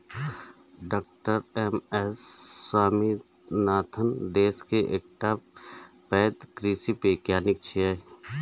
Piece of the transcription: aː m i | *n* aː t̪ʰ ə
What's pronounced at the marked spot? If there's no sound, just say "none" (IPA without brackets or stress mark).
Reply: n